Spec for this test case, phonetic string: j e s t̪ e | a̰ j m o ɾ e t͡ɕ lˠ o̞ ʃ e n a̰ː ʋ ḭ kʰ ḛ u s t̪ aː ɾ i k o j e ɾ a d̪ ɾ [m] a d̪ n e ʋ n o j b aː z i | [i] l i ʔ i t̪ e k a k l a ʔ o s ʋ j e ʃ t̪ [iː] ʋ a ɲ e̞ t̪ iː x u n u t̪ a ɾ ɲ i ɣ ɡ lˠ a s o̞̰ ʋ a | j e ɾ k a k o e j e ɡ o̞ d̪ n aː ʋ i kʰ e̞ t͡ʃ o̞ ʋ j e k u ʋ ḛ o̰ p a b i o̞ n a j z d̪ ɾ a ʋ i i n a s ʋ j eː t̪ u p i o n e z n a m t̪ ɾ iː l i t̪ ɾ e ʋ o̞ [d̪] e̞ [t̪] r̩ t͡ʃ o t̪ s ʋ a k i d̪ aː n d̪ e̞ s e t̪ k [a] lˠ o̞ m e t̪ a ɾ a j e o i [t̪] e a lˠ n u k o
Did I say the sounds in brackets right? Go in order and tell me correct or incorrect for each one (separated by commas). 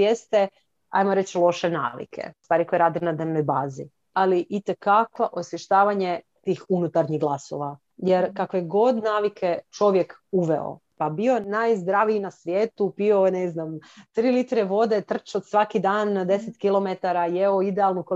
incorrect, incorrect, incorrect, correct, correct, incorrect, incorrect